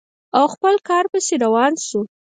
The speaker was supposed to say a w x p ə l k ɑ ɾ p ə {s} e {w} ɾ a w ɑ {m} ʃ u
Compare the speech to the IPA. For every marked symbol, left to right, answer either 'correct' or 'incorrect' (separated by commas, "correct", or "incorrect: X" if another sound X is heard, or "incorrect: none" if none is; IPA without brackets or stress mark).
correct, incorrect: none, incorrect: n